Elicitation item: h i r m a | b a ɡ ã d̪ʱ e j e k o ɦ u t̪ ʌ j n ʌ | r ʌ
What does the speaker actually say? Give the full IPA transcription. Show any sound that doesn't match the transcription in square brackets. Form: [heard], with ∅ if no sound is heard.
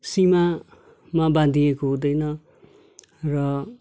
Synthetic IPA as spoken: [s] i [∅] m a | [m] a [b] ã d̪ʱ [i] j e k o ɦ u [d̪] ʌ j n ʌ | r ʌ